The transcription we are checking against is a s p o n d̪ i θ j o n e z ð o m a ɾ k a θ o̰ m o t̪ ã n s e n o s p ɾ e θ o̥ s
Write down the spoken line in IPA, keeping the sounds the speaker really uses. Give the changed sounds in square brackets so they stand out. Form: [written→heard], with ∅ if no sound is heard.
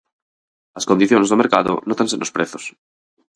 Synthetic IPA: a s [p→k] o n d̪ i θ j o n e z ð o m [a→e] ɾ k a [θ→ð] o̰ [m→n] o t̪ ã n s e n o s p ɾ e θ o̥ s